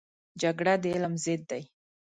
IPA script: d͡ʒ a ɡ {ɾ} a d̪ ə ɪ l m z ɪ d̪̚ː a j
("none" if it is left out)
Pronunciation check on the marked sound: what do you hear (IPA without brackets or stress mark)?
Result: ɽ